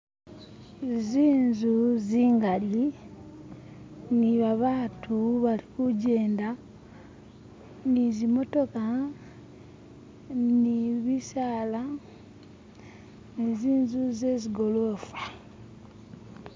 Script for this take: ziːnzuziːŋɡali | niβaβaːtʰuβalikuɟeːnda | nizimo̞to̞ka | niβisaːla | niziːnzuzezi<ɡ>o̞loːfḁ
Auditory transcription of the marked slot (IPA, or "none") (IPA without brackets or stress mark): ɡ